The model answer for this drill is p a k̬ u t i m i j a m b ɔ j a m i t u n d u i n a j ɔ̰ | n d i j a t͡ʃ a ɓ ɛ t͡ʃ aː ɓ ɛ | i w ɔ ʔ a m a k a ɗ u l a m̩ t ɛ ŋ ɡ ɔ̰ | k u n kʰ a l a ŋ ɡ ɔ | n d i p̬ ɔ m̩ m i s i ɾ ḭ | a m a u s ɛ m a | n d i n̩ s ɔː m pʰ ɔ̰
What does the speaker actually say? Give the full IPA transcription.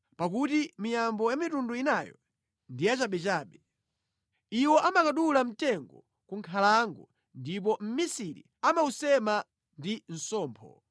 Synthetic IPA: p a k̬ u t i m i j a m b ɔ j a m i t u n d u i n a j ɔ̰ | n d i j a t͡ʃ a ɓ ɛ t͡ʃ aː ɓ ɛ | i w ɔ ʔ a m a k a ɗ u l a m̩ t ɛ ŋ ɡ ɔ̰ | k u ŋ kʰ a l a ŋ ɡ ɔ | n d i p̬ ɔ m̩ m i s i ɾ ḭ | a m a u s ɛ m a | n d i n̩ s ɔː m pʰ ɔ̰